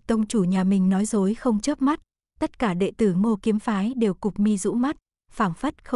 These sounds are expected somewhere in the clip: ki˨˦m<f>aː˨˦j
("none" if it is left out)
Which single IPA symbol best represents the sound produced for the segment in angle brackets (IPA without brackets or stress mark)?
f